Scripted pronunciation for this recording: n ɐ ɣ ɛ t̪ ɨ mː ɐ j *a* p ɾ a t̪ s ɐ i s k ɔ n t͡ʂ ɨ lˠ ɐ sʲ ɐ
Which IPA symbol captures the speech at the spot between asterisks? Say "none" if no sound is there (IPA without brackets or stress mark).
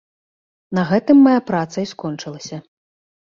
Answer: a